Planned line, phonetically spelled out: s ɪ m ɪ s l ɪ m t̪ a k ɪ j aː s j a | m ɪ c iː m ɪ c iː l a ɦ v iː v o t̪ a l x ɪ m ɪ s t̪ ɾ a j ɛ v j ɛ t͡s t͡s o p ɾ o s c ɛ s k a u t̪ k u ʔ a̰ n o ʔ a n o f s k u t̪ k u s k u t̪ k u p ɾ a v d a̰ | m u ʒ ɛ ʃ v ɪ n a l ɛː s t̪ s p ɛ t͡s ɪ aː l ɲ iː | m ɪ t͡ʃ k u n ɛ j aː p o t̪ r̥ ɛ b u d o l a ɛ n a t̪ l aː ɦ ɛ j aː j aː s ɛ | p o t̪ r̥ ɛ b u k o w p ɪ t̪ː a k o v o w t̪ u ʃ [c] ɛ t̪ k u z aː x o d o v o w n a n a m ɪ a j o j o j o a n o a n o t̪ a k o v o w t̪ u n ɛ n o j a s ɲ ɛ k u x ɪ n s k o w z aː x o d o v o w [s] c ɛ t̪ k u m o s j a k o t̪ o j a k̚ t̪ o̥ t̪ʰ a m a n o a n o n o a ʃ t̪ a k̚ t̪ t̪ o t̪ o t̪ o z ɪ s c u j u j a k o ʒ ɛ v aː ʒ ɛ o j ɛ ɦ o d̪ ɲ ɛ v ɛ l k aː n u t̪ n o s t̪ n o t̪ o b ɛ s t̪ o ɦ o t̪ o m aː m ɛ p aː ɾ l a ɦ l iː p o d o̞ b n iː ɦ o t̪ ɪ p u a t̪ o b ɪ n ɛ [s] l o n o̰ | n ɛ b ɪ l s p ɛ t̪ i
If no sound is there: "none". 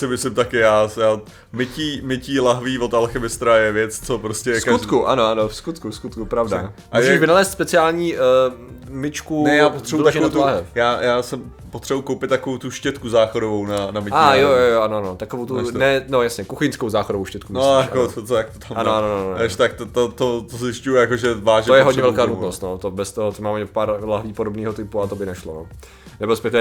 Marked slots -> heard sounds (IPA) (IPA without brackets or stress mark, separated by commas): c, ʃ, ʃ